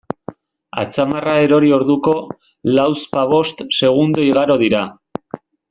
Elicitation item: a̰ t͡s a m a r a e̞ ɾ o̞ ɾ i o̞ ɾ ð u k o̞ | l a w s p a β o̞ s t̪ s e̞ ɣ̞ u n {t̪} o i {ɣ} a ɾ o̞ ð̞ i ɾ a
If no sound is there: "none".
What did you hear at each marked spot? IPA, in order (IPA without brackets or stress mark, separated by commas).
d̪, ɣ